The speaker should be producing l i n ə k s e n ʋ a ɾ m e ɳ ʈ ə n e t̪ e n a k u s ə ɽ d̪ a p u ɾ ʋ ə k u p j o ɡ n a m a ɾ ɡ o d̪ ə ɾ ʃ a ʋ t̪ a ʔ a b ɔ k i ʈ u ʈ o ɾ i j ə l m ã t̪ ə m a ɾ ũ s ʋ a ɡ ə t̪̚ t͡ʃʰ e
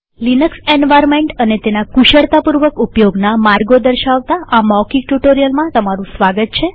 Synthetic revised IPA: l i n ə k s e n ʋ a ɾ m e ɳ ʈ ə n e t̪ e n a k u ʃ ə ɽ t̪ a p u ɾ ʋ ə k u p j o ɡ n a m a ɾ ɡ o d̪ ə ɾ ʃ a ʋ t̪ a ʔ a m ɔ k i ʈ u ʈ o ɾ i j ə l m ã t̪ ə m a ɾ ũ s ʋ a ɡ ə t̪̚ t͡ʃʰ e